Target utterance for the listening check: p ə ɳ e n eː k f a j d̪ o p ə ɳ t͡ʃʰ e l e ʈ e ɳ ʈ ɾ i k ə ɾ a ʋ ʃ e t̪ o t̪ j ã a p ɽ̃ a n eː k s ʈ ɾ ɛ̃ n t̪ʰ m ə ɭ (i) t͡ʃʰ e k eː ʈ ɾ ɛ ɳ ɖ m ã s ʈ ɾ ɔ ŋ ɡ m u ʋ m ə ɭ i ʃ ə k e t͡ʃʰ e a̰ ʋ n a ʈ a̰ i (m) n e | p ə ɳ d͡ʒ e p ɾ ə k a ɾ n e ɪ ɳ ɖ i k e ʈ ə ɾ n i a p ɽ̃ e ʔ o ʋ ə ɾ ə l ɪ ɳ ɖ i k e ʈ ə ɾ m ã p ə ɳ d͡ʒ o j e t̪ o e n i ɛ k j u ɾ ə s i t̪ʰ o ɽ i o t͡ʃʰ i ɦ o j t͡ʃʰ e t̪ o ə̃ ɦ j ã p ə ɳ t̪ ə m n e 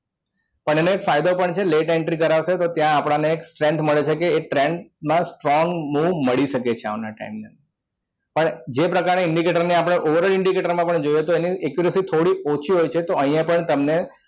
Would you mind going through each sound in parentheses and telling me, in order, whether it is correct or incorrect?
incorrect: e, correct

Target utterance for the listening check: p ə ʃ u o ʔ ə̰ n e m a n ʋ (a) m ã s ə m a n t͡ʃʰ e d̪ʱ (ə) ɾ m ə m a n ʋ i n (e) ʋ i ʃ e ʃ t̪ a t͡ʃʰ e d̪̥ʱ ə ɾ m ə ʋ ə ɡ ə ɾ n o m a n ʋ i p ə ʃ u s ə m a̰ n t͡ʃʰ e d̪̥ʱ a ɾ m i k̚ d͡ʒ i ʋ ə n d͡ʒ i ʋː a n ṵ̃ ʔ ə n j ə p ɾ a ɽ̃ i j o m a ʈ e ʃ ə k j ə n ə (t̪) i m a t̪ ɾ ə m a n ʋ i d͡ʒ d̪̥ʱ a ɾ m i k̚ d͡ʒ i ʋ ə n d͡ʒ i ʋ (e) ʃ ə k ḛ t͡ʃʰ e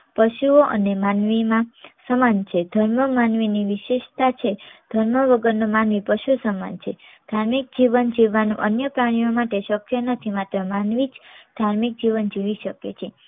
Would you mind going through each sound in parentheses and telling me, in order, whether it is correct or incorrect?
incorrect: i, correct, incorrect: i, incorrect: t̪ʰ, incorrect: i

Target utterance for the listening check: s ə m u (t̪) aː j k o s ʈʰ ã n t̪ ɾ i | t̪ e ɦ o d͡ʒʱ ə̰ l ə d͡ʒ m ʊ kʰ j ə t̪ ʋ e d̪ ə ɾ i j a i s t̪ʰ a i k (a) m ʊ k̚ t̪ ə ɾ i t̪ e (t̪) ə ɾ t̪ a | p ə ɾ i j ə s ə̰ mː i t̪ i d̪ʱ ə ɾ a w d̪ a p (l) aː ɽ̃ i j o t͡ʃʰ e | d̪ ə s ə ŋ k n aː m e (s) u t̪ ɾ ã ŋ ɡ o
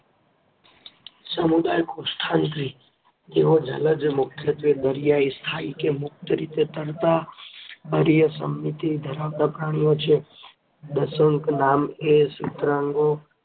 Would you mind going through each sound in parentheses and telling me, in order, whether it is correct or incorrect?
incorrect: d̪, incorrect: e, correct, incorrect: ɾ, correct

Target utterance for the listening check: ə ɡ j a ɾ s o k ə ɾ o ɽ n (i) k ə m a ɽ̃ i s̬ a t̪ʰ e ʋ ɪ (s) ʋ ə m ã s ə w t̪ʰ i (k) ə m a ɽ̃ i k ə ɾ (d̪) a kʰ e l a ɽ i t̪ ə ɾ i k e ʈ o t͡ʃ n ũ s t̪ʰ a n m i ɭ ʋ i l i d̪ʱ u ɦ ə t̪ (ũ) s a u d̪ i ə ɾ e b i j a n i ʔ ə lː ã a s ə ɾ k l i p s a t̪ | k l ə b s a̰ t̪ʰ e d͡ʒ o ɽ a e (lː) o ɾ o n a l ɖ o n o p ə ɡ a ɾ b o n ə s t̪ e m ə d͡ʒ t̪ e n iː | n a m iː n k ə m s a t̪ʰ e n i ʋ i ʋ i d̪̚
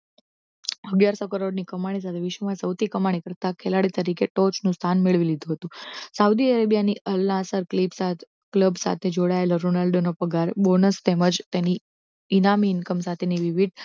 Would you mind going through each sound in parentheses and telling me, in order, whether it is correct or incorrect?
correct, incorrect: ʃ, correct, incorrect: t̪, correct, incorrect: l

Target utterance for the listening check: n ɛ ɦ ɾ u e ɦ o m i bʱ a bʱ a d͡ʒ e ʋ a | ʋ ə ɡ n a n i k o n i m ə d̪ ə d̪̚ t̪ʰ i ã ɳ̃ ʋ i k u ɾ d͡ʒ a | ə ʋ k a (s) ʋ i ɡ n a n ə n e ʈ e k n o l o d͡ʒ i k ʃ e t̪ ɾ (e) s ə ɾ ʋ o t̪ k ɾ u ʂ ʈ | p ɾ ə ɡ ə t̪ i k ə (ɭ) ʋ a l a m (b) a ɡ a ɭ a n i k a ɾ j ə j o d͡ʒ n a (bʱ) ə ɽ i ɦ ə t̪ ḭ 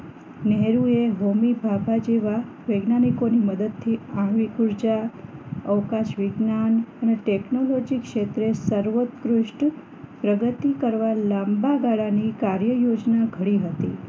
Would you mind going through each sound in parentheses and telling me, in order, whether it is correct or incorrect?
incorrect: ʃ, correct, incorrect: ɾ, correct, incorrect: ɡʱ

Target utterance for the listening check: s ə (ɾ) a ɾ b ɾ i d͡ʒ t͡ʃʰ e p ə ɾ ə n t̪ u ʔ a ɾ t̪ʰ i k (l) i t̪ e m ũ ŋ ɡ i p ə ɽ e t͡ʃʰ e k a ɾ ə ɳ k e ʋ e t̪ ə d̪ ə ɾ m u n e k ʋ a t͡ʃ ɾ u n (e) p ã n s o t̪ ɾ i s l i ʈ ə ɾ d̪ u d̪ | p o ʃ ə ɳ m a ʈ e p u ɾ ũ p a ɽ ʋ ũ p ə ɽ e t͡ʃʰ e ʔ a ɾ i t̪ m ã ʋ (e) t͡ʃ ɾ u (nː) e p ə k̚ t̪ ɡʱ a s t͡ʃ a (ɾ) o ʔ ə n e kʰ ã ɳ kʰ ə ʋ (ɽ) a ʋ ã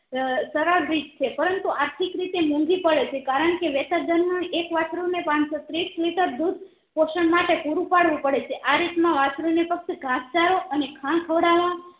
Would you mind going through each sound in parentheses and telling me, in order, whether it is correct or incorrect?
correct, incorrect: ɾ, correct, incorrect: a, incorrect: n, correct, correct

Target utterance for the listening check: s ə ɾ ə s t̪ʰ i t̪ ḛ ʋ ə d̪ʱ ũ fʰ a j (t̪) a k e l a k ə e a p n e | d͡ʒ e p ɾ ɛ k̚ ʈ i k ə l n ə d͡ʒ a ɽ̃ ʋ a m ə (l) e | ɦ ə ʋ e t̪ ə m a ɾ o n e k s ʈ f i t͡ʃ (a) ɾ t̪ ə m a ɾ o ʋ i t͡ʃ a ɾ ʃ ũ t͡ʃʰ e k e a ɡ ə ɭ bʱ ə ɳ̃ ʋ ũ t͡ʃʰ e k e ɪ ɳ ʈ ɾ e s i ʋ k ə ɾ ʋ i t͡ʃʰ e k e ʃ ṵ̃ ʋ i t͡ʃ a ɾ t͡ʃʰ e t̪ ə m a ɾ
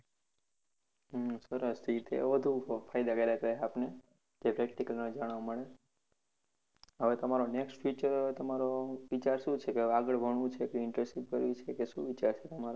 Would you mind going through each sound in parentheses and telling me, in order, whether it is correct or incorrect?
incorrect: d̪, incorrect: ɭ, incorrect: ə

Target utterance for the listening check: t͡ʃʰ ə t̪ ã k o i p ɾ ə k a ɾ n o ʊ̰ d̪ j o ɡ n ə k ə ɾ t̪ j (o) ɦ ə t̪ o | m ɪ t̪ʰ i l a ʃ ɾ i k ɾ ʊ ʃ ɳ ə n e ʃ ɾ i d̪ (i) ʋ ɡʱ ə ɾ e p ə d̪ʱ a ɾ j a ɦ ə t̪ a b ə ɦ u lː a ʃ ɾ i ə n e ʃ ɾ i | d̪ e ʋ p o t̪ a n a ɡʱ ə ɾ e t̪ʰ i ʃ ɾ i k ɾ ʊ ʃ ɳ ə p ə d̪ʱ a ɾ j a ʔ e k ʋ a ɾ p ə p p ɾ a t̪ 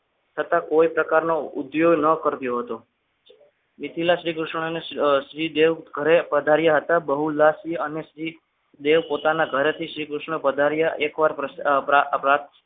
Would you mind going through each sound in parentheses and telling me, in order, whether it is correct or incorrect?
correct, incorrect: e

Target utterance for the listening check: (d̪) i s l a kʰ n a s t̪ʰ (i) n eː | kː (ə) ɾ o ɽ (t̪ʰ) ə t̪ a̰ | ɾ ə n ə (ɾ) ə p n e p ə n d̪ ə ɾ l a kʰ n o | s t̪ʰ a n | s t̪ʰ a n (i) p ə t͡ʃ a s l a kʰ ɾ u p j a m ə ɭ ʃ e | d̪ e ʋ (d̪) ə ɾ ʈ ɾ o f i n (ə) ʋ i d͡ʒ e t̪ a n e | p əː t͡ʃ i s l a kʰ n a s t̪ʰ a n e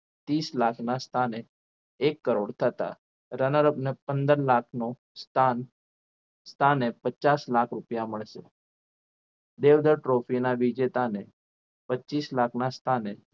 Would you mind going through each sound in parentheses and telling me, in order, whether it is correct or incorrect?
incorrect: t̪, incorrect: a, correct, correct, correct, incorrect: e, correct, incorrect: a

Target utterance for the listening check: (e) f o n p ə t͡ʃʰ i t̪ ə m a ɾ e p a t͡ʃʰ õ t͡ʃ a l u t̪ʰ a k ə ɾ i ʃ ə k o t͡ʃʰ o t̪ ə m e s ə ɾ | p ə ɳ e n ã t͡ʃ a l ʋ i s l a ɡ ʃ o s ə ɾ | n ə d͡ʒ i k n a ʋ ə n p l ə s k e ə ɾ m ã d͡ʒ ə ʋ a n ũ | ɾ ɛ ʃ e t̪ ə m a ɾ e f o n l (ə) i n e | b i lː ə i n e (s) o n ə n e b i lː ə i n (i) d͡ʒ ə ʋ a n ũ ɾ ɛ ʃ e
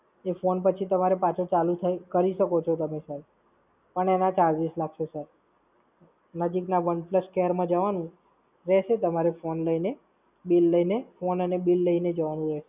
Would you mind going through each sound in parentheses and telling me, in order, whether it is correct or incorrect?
correct, correct, incorrect: f, incorrect: e

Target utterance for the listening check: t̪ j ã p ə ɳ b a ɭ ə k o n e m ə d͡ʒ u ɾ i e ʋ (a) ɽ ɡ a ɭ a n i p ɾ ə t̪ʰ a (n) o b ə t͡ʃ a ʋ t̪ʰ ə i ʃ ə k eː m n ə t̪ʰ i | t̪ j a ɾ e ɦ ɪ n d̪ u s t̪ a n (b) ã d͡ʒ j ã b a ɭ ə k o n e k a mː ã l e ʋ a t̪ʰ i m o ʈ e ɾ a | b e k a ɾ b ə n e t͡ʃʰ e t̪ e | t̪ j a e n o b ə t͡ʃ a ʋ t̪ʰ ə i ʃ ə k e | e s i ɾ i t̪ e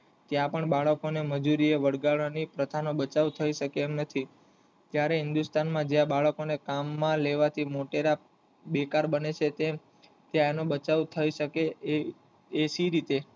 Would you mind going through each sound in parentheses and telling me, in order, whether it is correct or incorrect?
incorrect: ə, correct, incorrect: m

